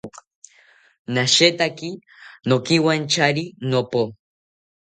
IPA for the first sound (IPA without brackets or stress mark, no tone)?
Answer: n